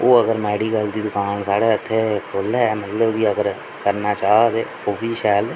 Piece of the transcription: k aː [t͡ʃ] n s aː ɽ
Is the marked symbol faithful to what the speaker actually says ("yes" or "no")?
no